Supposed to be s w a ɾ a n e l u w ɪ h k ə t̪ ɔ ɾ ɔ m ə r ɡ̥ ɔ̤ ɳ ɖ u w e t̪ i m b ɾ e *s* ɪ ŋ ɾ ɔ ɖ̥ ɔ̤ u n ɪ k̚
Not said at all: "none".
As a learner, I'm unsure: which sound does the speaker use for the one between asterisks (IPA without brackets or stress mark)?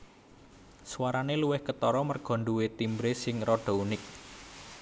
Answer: s